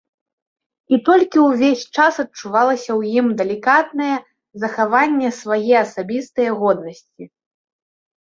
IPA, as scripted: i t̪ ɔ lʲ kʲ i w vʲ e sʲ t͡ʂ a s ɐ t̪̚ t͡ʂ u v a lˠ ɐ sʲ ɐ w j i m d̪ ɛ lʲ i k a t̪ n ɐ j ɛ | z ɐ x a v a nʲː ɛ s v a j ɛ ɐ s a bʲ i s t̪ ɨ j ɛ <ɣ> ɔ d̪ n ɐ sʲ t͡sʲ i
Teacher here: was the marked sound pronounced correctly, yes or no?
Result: yes